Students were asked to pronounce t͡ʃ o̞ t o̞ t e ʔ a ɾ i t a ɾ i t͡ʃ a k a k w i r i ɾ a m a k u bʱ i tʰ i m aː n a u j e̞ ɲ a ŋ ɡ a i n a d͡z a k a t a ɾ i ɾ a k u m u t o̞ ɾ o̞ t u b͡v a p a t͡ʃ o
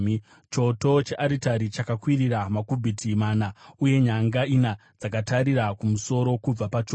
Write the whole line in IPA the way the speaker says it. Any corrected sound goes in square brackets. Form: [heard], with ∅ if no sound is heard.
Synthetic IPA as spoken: t͡ʃ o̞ t o̞ [t͡ʃ] e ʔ a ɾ i t a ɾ i t͡ʃ a k a k w i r i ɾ a m a k u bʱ i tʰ i m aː n a u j e̞ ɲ a ŋ ɡ a i n a d͡z a k a t a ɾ i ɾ a k u m u [s] o̞ ɾ o̞ [k] u b͡v a p a t͡ʃ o